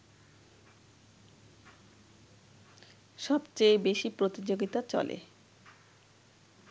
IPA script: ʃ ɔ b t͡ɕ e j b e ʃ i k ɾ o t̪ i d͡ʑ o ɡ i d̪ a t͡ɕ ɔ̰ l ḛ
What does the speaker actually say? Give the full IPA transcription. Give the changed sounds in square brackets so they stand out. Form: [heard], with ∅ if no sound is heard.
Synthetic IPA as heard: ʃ ɔ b t͡ɕ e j b e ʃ i [p] ɾ o t̪ i d͡ʑ o ɡ i [t̪] a t͡ɕ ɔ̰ l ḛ